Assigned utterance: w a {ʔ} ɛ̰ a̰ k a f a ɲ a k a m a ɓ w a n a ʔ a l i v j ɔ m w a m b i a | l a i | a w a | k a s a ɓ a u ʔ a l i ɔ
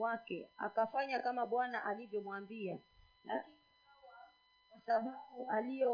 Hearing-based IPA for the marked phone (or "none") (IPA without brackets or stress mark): k